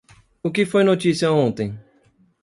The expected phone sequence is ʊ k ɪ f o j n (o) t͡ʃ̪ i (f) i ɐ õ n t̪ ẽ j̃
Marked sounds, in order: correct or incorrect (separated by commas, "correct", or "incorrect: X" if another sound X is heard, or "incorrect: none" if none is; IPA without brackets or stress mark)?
correct, incorrect: s